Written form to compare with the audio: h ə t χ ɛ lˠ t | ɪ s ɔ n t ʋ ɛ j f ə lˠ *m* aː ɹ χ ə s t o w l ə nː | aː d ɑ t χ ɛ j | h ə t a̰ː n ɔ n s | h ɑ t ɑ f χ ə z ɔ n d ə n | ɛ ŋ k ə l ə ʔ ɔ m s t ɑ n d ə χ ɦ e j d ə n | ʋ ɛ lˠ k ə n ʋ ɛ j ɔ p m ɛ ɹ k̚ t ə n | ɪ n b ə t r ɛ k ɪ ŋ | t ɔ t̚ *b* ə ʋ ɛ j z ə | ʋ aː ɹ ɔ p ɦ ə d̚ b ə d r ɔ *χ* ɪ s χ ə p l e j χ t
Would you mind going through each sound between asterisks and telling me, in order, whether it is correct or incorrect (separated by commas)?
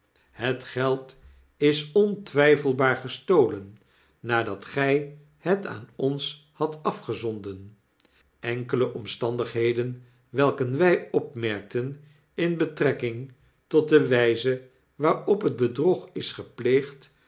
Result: incorrect, incorrect, correct